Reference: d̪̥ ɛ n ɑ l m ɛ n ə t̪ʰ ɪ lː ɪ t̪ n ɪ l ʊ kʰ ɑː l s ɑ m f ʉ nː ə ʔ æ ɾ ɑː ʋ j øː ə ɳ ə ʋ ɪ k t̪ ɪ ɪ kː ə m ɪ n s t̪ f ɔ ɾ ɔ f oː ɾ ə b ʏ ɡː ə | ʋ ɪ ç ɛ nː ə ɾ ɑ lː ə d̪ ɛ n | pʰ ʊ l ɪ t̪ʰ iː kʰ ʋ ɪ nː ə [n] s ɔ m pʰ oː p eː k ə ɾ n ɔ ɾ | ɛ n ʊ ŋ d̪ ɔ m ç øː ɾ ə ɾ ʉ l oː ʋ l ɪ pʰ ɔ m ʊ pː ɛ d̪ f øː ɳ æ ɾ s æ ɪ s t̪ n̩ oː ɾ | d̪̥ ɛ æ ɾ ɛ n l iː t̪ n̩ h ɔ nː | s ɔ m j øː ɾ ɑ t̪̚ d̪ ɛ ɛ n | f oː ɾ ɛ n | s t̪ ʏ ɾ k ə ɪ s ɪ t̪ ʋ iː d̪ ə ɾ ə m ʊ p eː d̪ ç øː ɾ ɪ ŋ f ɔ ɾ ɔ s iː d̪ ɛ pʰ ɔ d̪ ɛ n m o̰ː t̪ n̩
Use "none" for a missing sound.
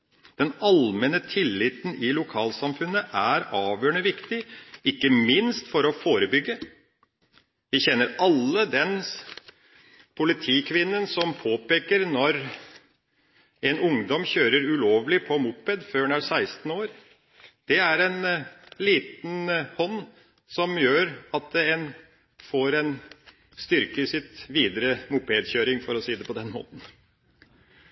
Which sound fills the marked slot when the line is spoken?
n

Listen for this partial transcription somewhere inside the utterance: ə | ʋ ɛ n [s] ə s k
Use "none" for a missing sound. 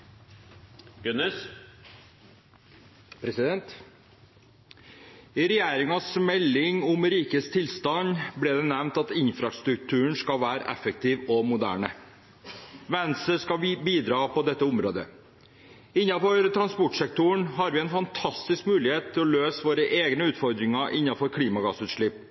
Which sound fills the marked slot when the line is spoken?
s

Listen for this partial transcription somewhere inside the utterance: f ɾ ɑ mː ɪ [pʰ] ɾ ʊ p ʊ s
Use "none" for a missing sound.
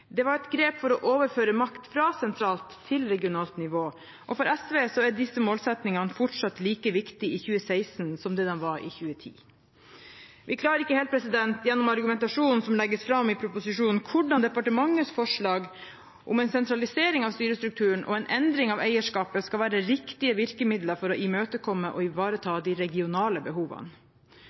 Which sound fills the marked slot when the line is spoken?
pʰ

